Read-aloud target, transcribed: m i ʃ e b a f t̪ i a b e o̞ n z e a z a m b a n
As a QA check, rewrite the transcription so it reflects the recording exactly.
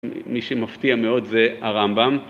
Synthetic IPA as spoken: m i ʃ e m a f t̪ i a m e o̞ d z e a ʁ a m b a m